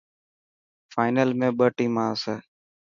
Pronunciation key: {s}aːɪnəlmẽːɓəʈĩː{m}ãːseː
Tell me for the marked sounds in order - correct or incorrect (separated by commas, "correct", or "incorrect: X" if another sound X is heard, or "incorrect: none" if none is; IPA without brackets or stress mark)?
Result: incorrect: f, correct